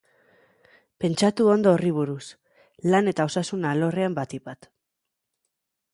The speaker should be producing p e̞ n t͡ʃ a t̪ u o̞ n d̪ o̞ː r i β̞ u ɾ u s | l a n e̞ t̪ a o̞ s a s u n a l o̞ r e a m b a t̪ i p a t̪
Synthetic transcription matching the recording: p e̞ n t͡ʃ a t̪ u o̞ n d̪ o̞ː r i β̞ u ɾ u s | l a n e̞ t̪ a o̞ s a s u n a l o̞ r e a m b a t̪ i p a t̪